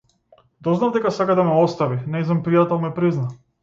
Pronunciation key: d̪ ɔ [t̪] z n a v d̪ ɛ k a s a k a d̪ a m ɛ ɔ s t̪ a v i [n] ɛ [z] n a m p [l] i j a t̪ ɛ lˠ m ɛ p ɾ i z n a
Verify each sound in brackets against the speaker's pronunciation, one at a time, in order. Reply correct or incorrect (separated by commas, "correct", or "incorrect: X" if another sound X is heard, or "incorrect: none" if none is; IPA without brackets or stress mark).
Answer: incorrect: none, correct, correct, incorrect: ɾ